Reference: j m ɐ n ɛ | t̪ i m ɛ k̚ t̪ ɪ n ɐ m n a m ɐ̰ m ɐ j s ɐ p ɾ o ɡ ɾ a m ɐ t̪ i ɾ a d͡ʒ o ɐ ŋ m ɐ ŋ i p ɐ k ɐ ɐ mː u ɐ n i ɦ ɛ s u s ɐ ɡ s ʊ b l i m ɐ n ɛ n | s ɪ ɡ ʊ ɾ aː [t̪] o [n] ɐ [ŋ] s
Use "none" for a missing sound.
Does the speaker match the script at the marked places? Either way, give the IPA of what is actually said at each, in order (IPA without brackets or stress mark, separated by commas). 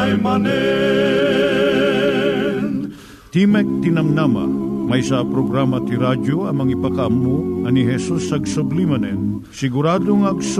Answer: d̪, ŋ, ɡ